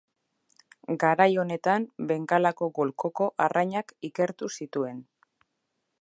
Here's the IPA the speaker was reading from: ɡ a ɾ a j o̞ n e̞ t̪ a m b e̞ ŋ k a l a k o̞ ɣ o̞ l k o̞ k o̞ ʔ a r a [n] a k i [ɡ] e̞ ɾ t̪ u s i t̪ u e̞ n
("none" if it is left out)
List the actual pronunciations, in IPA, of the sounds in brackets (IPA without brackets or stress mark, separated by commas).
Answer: ɲ, k